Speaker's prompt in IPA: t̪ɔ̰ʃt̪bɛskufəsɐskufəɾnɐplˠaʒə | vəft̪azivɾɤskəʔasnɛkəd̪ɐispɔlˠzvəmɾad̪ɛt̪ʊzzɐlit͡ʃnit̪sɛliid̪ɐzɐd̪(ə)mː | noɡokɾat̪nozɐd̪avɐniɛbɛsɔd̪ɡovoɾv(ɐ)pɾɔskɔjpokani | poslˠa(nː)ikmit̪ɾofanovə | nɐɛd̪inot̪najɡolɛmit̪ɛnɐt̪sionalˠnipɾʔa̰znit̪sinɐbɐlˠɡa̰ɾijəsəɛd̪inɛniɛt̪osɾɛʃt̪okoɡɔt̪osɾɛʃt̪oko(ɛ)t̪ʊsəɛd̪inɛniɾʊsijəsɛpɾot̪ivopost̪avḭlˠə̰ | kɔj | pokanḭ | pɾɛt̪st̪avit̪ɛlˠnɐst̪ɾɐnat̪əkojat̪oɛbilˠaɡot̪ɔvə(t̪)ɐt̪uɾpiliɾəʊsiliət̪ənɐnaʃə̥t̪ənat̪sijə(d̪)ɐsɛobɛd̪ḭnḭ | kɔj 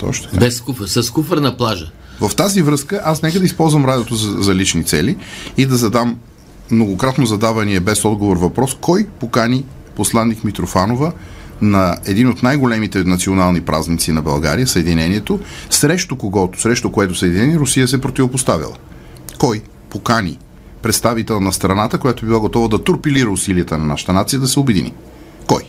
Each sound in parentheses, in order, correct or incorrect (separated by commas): incorrect, correct, correct, correct, incorrect, correct